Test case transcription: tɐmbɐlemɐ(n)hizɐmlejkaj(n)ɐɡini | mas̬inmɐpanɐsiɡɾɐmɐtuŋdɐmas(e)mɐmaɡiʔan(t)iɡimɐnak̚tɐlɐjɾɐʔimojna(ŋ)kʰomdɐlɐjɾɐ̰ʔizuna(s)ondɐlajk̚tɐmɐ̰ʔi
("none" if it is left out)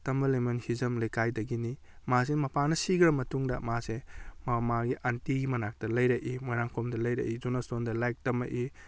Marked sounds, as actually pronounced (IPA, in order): n, d, e, t, ŋ, s

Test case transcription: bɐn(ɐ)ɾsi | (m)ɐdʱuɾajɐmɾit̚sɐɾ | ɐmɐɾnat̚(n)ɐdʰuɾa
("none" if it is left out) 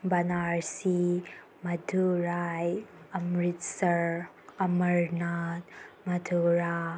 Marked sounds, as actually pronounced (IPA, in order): a, m, m

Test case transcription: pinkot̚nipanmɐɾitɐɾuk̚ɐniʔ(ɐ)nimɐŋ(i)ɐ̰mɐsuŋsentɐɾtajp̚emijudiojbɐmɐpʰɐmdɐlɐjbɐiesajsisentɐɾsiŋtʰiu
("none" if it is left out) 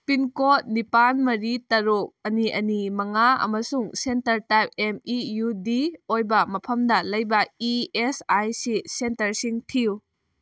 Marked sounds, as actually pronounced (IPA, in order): ɐ, a

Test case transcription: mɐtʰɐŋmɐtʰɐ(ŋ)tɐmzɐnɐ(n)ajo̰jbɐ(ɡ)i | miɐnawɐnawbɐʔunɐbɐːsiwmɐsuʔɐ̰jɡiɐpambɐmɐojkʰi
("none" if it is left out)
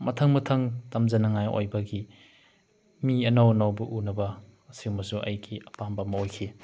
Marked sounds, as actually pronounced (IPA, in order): ŋ, ŋ, ɡ

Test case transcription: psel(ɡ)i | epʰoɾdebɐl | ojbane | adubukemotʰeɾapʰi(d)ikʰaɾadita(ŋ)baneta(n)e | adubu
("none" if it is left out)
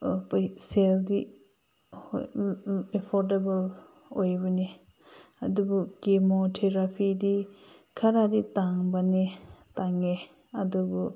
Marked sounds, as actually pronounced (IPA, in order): d, d, ŋ, ŋ

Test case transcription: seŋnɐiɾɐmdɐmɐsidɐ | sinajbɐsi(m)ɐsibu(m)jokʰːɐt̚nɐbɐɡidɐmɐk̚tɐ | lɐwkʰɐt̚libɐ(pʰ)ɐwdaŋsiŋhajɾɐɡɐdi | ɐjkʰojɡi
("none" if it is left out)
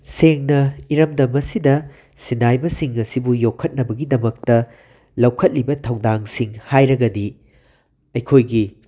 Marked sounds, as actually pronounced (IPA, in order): ŋ, none, tʰ

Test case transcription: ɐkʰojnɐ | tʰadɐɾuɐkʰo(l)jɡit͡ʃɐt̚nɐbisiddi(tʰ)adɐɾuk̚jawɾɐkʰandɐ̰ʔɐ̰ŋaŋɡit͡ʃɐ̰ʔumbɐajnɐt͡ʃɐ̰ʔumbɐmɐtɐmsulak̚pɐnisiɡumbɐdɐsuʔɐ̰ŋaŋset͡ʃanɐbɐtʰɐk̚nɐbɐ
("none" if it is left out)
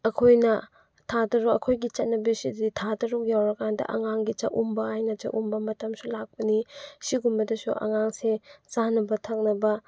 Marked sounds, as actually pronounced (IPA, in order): none, tʰ

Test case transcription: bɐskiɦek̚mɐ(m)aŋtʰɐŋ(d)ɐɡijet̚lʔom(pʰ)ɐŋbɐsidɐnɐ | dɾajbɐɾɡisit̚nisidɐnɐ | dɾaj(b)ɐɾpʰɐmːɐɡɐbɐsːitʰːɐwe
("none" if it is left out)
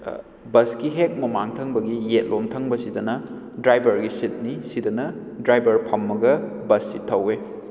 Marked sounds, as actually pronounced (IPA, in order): m, b, tʰ, b

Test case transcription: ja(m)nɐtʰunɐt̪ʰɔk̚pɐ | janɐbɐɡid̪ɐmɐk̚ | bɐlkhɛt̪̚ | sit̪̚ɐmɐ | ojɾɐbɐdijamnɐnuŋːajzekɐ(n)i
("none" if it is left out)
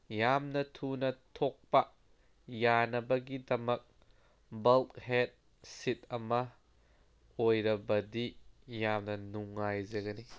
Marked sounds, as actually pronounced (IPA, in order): m, n

